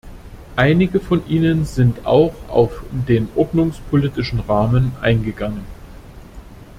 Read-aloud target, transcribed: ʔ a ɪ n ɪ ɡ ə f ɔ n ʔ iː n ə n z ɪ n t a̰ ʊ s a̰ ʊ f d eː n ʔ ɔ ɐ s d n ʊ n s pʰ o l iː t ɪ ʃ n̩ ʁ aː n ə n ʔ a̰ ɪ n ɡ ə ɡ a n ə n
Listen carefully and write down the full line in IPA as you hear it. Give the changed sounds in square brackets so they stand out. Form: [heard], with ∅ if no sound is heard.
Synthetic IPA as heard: ʔ a ɪ n ɪ ɡ ə f ɔ n ʔ iː n ə n z ɪ n t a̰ ʊ [x] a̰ ʊ f d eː n ʔ ɔ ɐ [∅] d n ʊ [ŋ] s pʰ o l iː t ɪ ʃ n̩ ʁ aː [m] ə n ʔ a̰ ɪ n ɡ ə ɡ a [ŋ] ə n